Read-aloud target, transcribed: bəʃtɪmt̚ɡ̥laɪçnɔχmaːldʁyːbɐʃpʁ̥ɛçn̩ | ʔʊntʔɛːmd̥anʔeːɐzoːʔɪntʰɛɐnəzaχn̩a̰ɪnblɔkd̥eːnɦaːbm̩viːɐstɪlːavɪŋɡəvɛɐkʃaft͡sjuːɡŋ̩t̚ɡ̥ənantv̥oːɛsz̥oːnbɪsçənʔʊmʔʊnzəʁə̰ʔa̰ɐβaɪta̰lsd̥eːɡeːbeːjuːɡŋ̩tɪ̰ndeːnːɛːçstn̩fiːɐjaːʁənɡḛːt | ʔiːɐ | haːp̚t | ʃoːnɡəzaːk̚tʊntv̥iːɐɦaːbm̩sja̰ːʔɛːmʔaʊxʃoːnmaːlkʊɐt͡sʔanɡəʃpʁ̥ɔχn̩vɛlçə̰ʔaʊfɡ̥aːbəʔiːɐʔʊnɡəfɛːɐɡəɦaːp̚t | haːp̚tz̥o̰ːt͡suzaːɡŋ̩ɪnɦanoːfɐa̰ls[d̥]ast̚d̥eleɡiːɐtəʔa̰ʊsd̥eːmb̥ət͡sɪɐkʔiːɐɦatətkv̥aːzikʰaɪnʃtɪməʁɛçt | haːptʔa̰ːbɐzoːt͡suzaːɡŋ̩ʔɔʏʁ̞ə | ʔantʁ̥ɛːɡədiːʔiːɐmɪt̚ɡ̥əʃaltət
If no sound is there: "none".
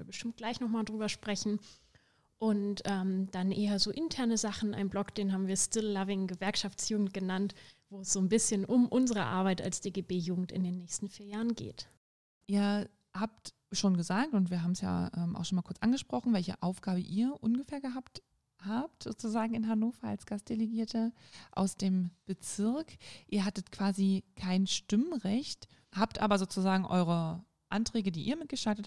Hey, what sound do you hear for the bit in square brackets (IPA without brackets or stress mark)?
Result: ɡ̥